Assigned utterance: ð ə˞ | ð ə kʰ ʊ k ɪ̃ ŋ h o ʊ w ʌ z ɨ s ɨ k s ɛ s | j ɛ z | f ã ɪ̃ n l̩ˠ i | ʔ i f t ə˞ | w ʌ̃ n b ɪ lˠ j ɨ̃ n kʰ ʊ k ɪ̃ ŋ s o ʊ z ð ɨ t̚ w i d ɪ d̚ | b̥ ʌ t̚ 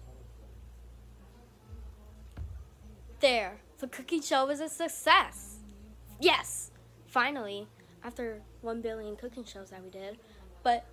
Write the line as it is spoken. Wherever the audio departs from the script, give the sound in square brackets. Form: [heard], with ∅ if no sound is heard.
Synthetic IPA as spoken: ð ə˞ | ð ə kʰ ʊ k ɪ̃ ŋ [ʃ] o ʊ w ʌ z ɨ s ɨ k s ɛ s | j ɛ [s] | f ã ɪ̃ n l̩ˠ i | ʔ [æ] f t ə˞ | w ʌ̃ n b ɪ lˠ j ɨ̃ n kʰ ʊ k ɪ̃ ŋ [ʃ] o ʊ z ð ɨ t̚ w i d ɪ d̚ | b̥ ʌ t̚